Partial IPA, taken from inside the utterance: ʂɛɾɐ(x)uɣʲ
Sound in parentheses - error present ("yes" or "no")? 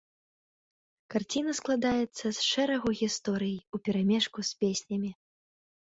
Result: yes